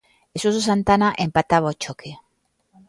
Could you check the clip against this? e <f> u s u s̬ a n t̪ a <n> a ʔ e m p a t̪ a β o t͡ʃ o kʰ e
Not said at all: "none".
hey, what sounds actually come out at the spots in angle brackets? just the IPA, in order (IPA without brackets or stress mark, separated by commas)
s, n